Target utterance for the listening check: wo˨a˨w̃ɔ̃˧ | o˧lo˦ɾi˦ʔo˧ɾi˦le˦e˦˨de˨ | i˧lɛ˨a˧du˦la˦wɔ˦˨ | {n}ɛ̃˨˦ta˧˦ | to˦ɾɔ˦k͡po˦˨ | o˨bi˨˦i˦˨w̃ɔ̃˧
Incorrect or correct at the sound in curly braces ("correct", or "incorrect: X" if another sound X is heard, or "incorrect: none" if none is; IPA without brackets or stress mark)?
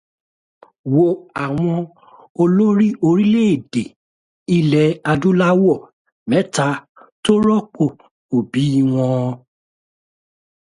incorrect: m